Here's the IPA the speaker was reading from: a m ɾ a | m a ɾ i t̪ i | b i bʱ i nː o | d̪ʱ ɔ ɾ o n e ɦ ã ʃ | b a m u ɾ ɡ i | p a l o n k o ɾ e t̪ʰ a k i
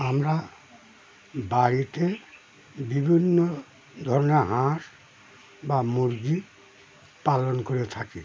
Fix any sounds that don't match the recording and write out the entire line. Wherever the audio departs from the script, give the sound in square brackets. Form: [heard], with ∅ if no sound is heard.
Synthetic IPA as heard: a m ɾ a | [b] a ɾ i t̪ [e] | b i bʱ i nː o | d̪ʱ ɔ ɾ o n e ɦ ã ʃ | b a m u ɾ ɡ i | p a l o n k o ɾ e t̪ʰ a k i